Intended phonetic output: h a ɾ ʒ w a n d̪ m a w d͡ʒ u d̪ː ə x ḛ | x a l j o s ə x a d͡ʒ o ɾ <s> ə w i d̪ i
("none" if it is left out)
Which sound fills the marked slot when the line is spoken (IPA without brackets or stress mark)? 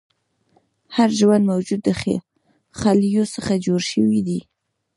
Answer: ʃ